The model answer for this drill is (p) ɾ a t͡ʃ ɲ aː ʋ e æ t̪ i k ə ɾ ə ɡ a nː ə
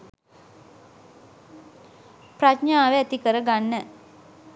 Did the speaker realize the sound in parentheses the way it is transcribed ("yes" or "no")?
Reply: yes